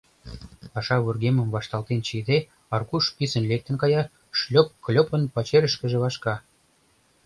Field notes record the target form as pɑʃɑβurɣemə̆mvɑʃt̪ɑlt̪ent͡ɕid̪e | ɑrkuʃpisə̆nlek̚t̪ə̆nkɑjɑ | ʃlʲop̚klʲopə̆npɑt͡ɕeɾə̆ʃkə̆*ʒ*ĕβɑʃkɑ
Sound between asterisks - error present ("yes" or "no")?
no